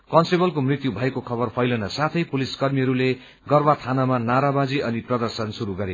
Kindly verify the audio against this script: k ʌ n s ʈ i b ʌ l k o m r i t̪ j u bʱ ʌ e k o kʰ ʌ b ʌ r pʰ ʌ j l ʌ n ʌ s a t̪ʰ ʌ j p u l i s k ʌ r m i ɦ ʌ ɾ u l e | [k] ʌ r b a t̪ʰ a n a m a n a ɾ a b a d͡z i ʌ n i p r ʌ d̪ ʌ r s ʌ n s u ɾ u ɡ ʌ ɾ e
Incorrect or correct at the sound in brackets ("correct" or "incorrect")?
incorrect